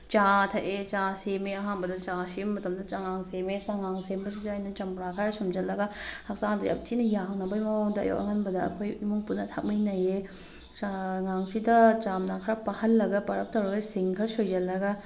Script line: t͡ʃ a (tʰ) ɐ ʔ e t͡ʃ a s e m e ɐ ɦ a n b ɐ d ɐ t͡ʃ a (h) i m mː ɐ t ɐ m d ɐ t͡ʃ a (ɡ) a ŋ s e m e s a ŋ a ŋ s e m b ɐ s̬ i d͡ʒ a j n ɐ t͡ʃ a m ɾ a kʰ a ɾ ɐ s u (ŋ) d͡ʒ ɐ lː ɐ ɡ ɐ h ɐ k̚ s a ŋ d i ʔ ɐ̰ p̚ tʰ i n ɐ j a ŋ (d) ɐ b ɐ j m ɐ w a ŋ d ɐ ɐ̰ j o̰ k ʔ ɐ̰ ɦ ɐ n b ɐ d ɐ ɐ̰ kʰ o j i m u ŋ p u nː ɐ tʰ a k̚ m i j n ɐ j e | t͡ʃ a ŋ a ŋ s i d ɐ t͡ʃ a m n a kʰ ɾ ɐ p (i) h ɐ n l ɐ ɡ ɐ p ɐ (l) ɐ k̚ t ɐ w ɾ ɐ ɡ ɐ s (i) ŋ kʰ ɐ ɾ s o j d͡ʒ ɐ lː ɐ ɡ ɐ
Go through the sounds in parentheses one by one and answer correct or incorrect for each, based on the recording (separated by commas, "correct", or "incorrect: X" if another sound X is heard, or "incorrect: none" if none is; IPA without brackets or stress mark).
correct, incorrect: s, incorrect: ŋ, incorrect: m, incorrect: n, incorrect: a, incorrect: ɾ, correct